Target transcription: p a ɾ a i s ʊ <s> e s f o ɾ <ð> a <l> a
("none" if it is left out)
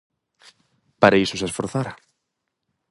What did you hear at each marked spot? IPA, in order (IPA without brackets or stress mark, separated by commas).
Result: s, θ, ɾ